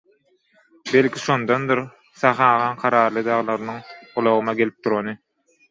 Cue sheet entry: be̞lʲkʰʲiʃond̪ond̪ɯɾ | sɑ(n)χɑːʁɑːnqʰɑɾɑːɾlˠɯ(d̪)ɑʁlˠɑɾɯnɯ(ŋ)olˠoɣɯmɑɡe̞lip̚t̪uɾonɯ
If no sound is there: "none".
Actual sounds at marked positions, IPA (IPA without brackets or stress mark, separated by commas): none, d̪, ŋ